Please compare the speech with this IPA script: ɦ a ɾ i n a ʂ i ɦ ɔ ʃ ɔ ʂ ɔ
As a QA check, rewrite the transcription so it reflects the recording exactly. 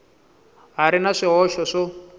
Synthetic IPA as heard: ɦ a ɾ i n a ʂ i ɦ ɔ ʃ ɔ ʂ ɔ